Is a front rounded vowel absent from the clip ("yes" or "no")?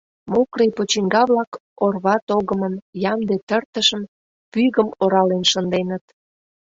no